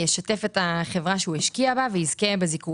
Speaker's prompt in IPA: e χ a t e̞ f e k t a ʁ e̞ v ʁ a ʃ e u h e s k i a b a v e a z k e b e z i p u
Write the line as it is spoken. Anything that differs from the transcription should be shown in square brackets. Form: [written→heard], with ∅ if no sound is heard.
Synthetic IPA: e [χ→ʃ] a t e̞ f e [k→∅] t a [ʁ→χ] e̞ v ʁ a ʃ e u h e [s→ʃ] k i a b a v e [a→i] z k e b e z i [p→k] u